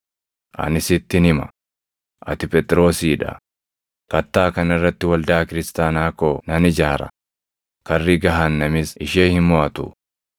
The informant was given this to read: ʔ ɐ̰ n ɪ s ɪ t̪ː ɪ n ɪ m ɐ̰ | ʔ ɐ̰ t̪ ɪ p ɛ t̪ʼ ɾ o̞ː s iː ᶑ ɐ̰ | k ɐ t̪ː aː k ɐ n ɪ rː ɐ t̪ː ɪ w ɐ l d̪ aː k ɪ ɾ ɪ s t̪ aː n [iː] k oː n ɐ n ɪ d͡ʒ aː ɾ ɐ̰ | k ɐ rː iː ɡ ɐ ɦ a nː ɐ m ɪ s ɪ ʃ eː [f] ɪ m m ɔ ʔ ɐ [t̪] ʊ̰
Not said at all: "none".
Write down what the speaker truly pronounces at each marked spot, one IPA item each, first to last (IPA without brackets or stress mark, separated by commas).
aː, h, t̪